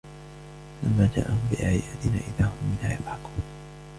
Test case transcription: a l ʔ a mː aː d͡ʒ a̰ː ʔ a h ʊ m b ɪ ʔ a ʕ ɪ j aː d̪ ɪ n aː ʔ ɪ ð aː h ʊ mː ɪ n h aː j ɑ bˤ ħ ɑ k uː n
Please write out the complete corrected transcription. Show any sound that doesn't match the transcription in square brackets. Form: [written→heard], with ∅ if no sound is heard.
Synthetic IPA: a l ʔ a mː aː d͡ʒ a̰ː ʔ a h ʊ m b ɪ ʔ a ʕ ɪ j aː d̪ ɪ n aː ʔ ɪ ð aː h ʊ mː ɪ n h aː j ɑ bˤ ħ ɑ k uː n